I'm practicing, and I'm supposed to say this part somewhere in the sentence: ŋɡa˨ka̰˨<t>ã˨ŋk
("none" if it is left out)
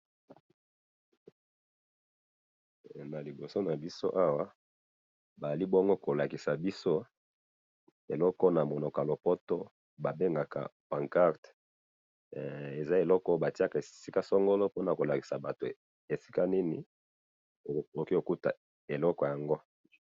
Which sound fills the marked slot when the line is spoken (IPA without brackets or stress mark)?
p